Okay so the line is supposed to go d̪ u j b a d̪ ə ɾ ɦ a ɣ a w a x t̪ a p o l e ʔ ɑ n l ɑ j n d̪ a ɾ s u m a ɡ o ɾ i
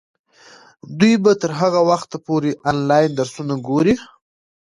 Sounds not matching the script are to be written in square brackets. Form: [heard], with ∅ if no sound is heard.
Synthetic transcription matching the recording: d̪ u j b a [t̪] ə ɾ ɦ a ɣ a w a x t̪ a p o [ɾ] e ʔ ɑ n l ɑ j n d̪ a ɾ s u [n] a ɡ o ɾ i